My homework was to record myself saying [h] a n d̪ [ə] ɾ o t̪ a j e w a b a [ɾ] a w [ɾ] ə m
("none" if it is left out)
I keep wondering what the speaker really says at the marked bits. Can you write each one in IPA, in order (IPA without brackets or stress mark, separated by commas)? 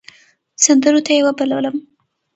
s, ə, l, l